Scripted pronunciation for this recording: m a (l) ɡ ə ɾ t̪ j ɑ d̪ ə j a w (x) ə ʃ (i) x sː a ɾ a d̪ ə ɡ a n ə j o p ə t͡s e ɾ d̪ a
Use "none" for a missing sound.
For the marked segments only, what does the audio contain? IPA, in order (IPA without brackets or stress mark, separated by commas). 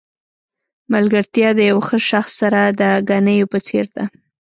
l, x, a